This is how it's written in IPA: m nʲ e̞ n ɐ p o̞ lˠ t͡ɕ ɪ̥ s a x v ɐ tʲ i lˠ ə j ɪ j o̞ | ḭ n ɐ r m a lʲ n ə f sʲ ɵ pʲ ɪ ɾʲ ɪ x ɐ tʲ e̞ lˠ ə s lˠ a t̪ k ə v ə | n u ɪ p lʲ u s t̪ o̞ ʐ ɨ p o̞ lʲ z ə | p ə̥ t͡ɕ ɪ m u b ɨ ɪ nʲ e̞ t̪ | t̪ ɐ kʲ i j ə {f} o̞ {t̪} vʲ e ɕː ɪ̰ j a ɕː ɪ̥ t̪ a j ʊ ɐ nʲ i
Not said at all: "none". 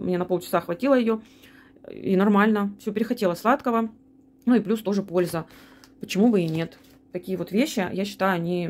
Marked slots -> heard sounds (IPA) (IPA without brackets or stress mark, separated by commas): v, t̪